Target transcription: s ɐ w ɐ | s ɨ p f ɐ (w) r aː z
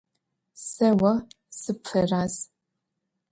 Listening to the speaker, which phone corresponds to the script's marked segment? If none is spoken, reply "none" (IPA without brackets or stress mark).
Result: none